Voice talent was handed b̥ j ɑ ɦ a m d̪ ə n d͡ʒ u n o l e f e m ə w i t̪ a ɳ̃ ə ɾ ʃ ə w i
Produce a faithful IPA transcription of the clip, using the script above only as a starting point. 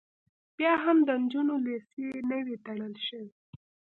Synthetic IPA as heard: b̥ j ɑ ɦ a m d̪ ə n d͡ʒ u n o l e s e n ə w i t̪ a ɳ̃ ə l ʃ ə w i